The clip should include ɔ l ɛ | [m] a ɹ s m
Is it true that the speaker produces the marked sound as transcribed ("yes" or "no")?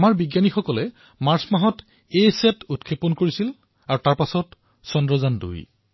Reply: yes